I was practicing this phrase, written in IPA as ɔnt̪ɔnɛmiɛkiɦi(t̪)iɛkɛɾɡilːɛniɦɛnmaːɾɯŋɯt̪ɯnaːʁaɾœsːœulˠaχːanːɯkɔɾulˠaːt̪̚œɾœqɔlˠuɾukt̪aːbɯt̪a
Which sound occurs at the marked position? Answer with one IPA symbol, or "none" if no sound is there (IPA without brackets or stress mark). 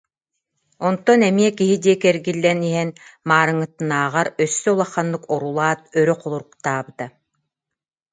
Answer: d̪